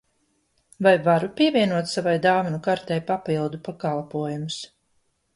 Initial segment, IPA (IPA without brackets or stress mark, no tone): v